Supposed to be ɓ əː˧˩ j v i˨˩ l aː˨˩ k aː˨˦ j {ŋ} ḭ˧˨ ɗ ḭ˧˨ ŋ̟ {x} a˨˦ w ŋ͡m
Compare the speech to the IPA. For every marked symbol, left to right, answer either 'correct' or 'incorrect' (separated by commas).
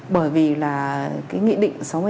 correct, incorrect